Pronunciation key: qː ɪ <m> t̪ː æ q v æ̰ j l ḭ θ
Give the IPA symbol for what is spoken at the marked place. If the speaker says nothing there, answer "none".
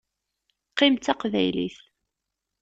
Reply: m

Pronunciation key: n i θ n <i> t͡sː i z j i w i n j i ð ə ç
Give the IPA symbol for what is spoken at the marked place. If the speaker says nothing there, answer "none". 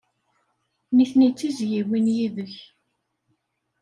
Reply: i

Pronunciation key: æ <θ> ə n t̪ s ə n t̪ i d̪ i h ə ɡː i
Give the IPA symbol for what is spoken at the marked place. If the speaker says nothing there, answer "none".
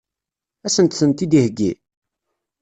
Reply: s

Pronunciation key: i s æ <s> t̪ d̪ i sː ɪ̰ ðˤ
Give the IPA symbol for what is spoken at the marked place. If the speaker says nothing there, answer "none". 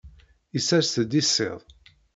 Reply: s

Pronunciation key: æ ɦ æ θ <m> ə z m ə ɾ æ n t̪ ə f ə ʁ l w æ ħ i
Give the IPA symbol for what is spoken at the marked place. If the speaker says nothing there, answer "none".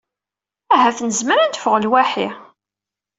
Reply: n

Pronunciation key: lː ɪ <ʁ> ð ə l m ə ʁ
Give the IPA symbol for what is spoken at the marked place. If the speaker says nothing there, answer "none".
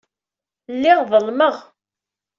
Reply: ʁ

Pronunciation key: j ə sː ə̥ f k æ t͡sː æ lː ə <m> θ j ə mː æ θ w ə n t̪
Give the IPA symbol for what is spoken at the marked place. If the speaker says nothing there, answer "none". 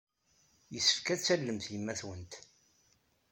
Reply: m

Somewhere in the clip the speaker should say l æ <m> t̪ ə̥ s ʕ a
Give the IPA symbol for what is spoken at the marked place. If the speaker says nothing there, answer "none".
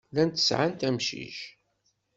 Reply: n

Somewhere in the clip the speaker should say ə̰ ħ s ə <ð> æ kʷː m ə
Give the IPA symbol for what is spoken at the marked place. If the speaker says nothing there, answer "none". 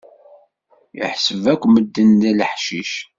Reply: v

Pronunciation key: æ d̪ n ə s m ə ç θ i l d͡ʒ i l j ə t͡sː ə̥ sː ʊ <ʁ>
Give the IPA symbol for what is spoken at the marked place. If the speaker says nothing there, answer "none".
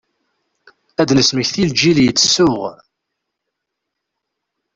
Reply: ʁ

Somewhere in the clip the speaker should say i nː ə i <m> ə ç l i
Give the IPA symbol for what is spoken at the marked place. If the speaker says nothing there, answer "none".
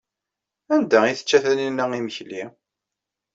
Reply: m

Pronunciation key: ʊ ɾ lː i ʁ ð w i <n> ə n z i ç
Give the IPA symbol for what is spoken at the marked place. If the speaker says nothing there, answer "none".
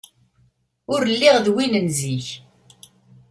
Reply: n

